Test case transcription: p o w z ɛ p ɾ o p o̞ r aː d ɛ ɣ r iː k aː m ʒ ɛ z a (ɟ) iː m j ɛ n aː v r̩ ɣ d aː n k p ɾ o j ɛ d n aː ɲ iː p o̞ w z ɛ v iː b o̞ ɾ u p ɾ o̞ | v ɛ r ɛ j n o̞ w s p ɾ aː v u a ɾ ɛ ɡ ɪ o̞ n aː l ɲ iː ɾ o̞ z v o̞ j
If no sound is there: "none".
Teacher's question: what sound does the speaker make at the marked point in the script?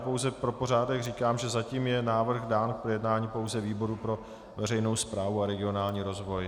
c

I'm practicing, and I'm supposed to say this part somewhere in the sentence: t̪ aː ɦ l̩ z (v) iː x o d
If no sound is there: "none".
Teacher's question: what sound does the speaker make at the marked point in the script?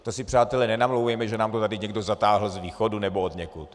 v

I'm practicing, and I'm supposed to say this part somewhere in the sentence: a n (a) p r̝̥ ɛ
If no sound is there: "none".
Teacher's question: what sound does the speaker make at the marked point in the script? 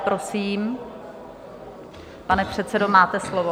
ɛ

